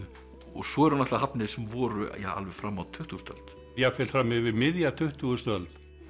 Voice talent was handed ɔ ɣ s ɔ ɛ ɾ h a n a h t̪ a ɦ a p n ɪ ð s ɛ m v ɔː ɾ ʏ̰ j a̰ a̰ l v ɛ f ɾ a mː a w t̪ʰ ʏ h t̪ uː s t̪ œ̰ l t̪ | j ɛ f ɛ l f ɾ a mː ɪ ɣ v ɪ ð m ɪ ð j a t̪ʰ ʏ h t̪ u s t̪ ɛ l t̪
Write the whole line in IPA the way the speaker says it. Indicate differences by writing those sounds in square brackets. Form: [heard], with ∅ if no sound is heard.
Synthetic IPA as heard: ɔ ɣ s ɔ ɛ ɾ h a n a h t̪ a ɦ a p n ɪ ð s ɛ m v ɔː ɾ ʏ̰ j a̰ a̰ l v ɛ f ɾ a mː a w t̪ʰ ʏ h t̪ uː s t̪ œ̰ l t̪ | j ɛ f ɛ l f ɾ a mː ɪ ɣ v ɪ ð m ɪ ð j a t̪ʰ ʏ h t̪ u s t̪ [œ] l t̪